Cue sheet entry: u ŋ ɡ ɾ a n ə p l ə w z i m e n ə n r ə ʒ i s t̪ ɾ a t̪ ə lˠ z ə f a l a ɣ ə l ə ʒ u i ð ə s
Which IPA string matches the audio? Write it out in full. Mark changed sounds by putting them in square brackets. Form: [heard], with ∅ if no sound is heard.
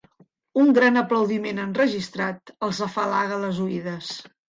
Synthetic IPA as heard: u ŋ ɡ ɾ a n ə p l ə w [ð] i m e n ə n r ə ʒ i s t̪ ɾ a t̪ ə lˠ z ə f a l a ɣ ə l ə [z] u i ð ə s